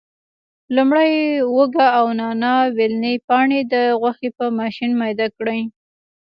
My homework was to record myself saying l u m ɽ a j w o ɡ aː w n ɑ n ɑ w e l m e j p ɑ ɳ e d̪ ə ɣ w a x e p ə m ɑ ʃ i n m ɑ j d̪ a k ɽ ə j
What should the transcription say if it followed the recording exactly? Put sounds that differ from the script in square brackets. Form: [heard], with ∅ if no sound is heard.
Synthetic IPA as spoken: l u m ɽ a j w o ɡ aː w n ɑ n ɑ w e l [n] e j p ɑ ɳ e d̪ ə ɣ w a x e p ə m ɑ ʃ i n m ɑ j d̪ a k ɽ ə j